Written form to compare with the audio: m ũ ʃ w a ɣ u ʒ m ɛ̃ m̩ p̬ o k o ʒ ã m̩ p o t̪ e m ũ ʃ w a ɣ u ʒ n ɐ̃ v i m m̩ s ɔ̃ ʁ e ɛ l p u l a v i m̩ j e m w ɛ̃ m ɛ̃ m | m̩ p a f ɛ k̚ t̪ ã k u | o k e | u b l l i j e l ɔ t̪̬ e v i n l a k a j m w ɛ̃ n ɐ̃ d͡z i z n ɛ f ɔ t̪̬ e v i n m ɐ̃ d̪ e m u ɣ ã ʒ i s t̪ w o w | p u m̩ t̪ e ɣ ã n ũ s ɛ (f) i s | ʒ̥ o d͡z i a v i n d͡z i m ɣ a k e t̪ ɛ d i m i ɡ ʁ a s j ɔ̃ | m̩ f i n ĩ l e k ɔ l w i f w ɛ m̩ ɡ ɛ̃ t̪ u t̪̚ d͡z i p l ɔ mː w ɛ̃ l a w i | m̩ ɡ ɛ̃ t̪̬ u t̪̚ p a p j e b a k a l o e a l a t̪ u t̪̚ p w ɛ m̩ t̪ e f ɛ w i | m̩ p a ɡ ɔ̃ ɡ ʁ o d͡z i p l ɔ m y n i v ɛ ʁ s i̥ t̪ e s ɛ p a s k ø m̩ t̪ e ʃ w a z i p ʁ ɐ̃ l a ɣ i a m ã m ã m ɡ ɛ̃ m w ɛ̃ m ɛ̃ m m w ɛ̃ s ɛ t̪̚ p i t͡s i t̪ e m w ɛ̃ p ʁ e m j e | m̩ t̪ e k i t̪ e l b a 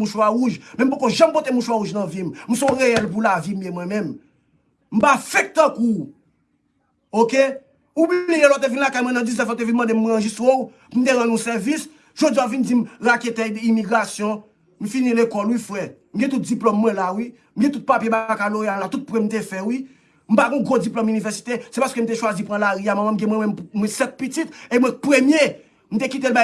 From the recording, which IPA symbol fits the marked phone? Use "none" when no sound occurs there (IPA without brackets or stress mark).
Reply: v